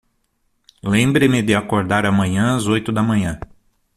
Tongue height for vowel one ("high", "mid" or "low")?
mid